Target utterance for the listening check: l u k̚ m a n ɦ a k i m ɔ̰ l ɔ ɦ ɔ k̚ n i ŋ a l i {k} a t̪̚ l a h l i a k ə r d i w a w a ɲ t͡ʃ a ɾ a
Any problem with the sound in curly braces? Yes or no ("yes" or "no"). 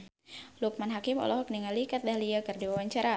no